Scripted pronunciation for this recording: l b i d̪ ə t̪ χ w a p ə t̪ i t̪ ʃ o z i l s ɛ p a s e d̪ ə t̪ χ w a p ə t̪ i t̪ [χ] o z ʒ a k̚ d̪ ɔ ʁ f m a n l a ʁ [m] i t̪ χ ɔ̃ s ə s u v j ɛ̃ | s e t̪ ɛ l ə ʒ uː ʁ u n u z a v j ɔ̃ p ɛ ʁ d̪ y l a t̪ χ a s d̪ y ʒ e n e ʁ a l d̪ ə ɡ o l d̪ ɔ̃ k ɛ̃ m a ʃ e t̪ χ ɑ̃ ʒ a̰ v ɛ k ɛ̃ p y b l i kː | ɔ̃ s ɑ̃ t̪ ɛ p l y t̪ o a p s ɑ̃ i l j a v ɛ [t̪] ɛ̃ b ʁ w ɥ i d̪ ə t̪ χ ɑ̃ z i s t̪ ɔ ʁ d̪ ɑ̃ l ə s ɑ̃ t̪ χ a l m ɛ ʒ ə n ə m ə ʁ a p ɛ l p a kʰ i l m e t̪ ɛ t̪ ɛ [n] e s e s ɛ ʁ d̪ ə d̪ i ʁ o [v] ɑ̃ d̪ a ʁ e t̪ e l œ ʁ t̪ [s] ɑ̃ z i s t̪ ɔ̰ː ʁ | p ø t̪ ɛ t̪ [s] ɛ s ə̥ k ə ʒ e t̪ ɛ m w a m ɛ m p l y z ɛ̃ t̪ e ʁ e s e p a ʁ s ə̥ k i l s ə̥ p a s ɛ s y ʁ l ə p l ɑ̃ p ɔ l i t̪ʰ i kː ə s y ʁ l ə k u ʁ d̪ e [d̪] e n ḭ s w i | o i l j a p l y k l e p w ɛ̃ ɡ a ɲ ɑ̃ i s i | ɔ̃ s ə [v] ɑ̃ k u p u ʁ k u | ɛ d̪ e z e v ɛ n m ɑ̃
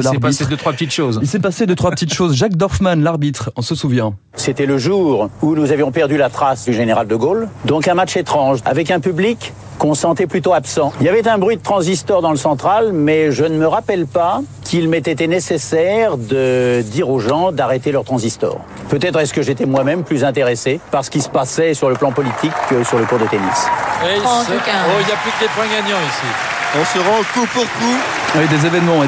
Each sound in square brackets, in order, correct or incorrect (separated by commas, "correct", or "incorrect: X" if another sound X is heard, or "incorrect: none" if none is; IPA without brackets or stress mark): incorrect: ʃ, incorrect: b, correct, correct, incorrect: ʒ, incorrect: χ, incorrect: χ, incorrect: t̪, incorrect: ʁ